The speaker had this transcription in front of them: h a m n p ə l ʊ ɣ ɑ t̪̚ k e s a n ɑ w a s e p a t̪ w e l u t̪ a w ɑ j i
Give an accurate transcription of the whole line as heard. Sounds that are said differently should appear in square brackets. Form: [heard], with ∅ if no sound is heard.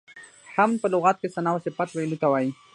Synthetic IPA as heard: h a m n p ə l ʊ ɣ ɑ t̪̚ k e s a n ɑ w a s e p a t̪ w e l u t̪ a w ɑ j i